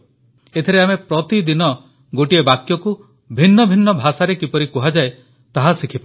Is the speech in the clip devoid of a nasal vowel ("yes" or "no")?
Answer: yes